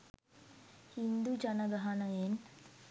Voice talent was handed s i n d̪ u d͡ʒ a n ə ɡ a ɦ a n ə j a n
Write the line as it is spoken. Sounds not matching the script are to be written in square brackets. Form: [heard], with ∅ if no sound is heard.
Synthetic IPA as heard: [h] i n d̪ u d͡ʒ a n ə ɡ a ɦ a n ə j [e] n